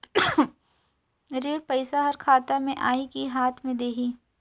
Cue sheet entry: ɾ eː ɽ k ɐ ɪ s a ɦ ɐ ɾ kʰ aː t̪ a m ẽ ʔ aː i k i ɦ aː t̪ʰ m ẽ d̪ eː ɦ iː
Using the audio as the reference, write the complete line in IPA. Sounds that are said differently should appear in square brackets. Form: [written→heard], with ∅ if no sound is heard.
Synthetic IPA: ɾ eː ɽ [k→p] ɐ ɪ s a ɦ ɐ ɾ kʰ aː t̪ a m ẽ ʔ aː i k i ɦ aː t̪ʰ m ẽ d̪ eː ɦ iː